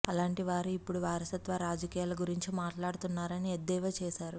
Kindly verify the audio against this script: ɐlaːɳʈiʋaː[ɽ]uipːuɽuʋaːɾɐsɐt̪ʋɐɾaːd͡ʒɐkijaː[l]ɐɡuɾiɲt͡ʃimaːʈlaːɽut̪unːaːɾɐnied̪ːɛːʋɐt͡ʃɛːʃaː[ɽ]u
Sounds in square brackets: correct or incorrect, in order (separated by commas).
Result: incorrect, correct, incorrect